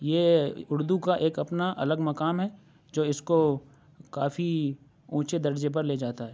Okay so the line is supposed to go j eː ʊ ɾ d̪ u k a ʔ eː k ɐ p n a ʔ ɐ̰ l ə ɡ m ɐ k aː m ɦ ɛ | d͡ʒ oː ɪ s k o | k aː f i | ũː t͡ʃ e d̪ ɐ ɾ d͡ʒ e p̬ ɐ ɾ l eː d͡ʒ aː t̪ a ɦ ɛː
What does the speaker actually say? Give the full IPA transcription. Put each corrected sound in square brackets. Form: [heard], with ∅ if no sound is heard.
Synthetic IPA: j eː ʊ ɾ d̪ u k a ʔ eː k ɐ p n a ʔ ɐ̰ l ə ɡ m ɐ k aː m ɦ ɛ | d͡ʒ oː ɪ s k o | k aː f i | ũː t͡ʃ e d̪ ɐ ɾ d͡ʒ e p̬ ɐ ɾ l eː d͡ʒ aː t̪ a ɦ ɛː